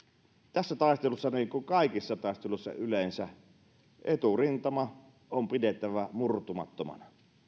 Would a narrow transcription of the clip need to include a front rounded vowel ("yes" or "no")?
yes